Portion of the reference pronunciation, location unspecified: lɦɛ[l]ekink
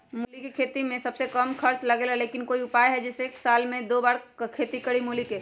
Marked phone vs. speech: correct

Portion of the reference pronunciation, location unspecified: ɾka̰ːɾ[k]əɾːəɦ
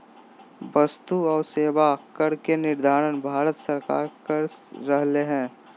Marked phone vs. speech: correct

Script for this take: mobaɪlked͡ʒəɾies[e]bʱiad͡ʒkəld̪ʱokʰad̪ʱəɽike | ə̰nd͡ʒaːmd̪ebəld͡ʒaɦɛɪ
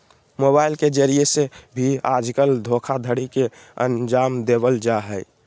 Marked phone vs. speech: correct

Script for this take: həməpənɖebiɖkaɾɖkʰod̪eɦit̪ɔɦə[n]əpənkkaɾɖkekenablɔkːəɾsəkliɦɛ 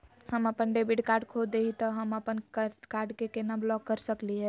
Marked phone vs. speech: incorrect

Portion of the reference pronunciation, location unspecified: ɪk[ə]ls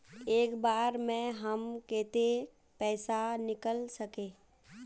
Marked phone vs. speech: correct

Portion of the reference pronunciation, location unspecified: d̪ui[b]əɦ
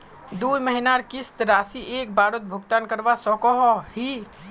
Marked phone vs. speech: incorrect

